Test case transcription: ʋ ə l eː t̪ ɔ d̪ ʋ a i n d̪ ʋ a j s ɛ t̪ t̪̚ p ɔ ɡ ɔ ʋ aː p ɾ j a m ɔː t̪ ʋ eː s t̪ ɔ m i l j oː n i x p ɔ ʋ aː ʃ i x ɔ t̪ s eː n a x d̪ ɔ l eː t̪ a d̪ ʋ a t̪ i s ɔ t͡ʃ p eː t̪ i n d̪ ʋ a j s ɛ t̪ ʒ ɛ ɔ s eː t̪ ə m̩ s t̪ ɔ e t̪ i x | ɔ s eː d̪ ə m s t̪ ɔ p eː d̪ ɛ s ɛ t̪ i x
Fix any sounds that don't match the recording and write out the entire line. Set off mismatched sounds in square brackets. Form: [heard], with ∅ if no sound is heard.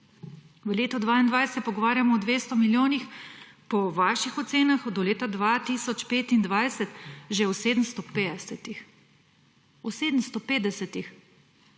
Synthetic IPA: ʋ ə l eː t̪ ɔ d̪ ʋ a i n d̪ ʋ a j s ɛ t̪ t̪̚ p ɔ ɡ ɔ ʋ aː [∅] ɾ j a m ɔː [d̪] ʋ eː s t̪ ɔ m i l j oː n i x p ɔ ʋ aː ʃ i x ɔ t̪ s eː n a x d̪ ɔ l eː t̪ a d̪ ʋ a t̪ i s ɔ t͡ʃ p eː t̪ i n d̪ ʋ a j s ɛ t̪ ʒ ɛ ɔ s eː [d̪] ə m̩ s t̪ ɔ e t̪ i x | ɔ s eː d̪ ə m s t̪ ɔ p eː d̪ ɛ s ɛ t̪ i x